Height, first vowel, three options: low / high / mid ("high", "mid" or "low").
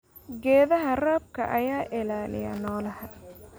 mid